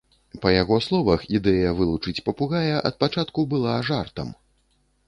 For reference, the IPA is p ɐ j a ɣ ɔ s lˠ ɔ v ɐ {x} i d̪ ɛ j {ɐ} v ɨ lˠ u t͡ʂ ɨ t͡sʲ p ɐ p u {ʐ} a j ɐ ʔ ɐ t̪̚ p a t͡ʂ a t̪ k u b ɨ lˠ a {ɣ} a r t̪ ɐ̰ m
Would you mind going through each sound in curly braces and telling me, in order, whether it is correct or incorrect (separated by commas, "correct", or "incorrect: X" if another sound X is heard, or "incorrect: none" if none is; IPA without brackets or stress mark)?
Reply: correct, correct, incorrect: ɣ, incorrect: ʐ